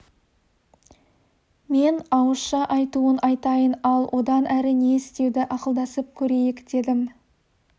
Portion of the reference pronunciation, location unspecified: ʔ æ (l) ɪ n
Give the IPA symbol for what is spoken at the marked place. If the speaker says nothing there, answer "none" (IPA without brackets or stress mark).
ɾ